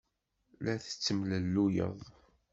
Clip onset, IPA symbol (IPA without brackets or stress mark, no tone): l